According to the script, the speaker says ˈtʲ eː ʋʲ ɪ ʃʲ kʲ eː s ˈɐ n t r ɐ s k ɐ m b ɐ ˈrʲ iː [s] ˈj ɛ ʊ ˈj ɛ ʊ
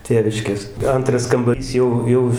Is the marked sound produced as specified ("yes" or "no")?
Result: yes